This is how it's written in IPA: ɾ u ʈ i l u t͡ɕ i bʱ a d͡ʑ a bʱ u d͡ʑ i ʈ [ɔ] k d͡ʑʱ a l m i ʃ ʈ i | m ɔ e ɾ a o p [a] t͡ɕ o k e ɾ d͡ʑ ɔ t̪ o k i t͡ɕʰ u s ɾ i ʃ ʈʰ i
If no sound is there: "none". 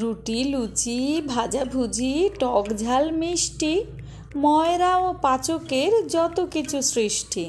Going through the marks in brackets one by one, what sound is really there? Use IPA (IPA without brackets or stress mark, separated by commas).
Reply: ɔ, a